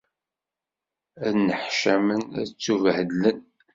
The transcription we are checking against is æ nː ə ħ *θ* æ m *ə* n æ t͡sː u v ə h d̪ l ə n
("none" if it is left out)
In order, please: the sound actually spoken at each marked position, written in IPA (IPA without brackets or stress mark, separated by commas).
ʃ, ə